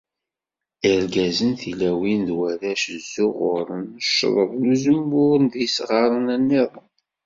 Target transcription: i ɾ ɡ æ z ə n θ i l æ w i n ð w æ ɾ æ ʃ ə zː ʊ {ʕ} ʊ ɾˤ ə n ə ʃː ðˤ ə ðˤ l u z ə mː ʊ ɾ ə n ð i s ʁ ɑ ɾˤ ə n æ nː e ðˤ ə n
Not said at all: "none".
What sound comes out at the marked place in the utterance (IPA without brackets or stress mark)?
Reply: ʁ